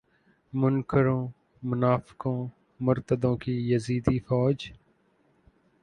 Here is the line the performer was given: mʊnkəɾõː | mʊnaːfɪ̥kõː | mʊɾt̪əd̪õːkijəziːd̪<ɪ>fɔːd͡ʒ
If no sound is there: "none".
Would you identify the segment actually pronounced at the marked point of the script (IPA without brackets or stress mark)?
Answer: i